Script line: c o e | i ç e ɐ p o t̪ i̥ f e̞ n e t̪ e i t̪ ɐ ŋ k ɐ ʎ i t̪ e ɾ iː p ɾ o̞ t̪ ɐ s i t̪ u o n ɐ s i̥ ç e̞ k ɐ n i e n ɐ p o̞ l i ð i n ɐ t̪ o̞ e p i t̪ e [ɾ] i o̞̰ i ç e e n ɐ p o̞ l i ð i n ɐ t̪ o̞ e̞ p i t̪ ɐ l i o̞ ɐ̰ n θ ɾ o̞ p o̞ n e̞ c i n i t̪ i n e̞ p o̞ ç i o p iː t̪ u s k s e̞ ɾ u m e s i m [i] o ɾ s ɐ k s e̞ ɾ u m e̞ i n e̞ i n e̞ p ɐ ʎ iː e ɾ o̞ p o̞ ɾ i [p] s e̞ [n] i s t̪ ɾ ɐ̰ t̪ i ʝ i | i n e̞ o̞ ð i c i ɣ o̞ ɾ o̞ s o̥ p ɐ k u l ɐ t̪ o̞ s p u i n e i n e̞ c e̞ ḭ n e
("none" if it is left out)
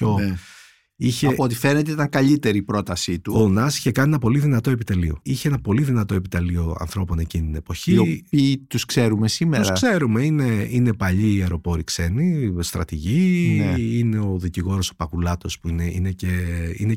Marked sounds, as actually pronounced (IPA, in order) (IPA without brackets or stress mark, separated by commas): l, e, k, n